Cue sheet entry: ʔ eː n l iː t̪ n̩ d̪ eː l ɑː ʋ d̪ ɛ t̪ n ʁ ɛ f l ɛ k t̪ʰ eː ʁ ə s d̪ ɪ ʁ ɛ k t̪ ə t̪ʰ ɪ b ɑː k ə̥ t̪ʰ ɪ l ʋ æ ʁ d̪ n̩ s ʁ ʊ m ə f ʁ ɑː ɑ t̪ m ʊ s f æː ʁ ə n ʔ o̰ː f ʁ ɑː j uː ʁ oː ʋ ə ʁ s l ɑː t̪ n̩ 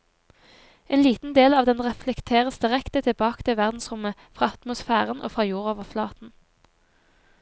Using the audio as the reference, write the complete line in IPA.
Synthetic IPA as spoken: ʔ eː n l iː t̪ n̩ d̪ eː l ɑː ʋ d̪ ɛ n ʁ ɛ f l ɛ k t̪ʰ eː ʁ ə s d̪ ɪ ʁ ɛ k t̪ ə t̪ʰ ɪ b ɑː k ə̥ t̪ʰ ɪ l ʋ æ ʁ d̪ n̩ s ʁ ʊ m ə f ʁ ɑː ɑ t̪ m ʊ s f æː ʁ ə n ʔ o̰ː f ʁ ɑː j uː ʁ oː ʋ ə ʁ f l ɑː t̪ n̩

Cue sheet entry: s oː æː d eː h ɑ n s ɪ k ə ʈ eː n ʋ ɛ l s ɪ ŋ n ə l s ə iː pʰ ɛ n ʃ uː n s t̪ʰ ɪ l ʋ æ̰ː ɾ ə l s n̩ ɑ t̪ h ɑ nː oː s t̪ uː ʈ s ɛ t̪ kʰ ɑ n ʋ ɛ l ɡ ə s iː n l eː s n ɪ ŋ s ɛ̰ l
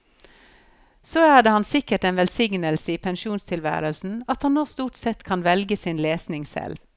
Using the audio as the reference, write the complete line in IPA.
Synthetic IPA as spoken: s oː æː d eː h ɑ n s ɪ k ə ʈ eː n ʋ ɛ l s ɪ ŋ n ə l s ə iː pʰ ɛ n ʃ uː n s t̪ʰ ɪ l ʋ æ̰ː ɾ ə l s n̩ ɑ t̪ h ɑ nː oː s t̪ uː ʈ s ɛ t̪ kʰ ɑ n ʋ ɛ l ɡ ə s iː n l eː s n ɪ ŋ s ɛ̰ l

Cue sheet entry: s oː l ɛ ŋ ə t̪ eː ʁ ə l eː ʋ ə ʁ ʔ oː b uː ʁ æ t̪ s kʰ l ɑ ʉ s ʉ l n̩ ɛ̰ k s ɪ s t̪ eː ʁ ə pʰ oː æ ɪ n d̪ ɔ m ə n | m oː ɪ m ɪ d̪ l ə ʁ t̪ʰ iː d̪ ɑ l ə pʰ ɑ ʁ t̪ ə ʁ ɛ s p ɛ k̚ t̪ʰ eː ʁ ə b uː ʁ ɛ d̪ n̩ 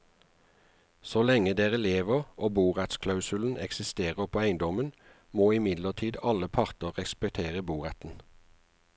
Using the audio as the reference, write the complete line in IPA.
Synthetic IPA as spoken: s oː l ɛ ŋ ə d̪ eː ʁ ə l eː ʋ ə ʁ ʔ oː b uː ʁ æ t̪ s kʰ l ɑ ʉ s ʉ l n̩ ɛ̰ k s ɪ s t̪ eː ʁ ə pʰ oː æ ɪ n d̪ ɔ m ə n | m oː ɪ m ɪ d̪ l ə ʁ t̪ʰ iː d̪ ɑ l ə pʰ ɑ ʁ t̪ ə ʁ ɛ s p ɛ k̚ t̪ʰ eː ʁ ə b uː ʁ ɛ t̪ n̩

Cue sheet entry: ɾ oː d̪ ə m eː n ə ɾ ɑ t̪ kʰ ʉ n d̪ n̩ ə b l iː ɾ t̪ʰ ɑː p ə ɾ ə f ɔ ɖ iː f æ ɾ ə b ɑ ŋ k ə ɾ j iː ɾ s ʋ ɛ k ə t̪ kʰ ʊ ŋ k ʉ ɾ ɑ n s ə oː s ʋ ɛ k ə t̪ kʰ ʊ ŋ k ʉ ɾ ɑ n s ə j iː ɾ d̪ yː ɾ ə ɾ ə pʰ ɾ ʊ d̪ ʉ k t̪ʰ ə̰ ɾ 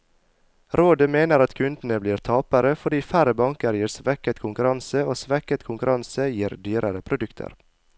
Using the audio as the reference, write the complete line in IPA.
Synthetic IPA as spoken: ɾ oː d̪ ə m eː n ə ɾ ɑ t̪ kʰ ʉ n d̪ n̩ ə b l iː ɾ t̪ʰ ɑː p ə ɾ ə f ɔ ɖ iː f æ ɾ ə b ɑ ŋ k ə ɾ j iː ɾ s ʋ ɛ k ə t̪ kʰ ʊ ŋ k ʉ ɾ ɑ n s ə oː s ʋ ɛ k ə t̪ kʰ ʊ ŋ k ʉ ɾ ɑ n s ə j iː ɾ d̪ yː ɾ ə ɾ ə pʰ ɾ ʊ d̪ ʉ k t̪ʰ ə̰ ɾ

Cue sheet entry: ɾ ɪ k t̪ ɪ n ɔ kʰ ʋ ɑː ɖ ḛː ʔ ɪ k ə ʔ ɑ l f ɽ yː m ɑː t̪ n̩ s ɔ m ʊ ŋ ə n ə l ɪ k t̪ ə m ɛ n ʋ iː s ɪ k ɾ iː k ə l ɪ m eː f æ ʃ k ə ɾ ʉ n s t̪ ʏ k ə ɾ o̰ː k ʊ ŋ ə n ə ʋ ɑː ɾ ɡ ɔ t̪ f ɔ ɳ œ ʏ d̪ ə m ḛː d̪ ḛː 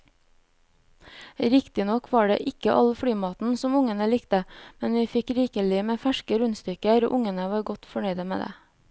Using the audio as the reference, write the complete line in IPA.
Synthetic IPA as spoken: ɾ ɪ k t̪ ɪ n ɔ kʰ ʋ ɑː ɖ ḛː ʔ ɪ k ə ʔ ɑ l f ɽ yː m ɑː t̪ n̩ s ɔ m ʊ ŋ ə n ə l ɪ k t̪ ə m ɛ n ʋ iː f ɪ k ɾ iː k ə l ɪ m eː f æ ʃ k ə ɾ ʉ n s t̪ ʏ k ə ɾ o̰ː ʔ ʊ ŋ ə n ə ʋ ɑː ɾ ɡ ɔ t̪ f ɔ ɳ œ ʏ d̪ ə m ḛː d̪ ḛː

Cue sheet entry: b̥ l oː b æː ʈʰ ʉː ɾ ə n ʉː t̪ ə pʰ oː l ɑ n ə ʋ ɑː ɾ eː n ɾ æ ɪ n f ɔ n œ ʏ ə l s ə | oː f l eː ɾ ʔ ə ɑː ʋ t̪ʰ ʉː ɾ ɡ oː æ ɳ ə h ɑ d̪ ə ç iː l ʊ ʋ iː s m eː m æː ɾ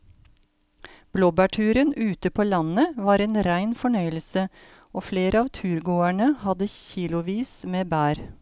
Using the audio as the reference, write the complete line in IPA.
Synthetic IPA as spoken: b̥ l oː b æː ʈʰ ʉː ɾ ə n ʉː t̪ ə pʰ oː l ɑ n ə ʋ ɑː ɾ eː n ɾ æ ɪ n f ɔ ɳ œ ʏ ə l s ə | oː f l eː ɾ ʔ ə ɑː ʋ t̪ʰ ʉː ɾ ɡ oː æ ɳ ə h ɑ d̪ ə ç iː l ʊ ʋ iː s m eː b æː ɾ

